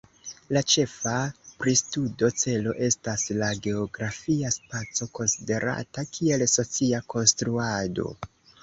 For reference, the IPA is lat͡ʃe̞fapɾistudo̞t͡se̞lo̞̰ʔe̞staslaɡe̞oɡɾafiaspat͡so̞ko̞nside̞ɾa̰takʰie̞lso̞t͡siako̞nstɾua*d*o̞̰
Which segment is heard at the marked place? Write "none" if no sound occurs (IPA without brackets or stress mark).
d